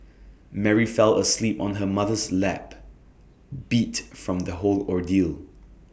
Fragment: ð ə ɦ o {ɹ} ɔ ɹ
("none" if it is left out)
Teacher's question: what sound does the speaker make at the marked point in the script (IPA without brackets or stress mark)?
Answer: l